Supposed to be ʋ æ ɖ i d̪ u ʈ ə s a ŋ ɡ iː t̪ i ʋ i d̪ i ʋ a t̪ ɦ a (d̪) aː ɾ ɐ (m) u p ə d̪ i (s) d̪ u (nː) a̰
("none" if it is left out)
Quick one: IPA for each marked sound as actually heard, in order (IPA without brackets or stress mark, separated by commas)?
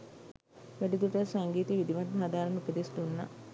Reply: d̪, n, s, nː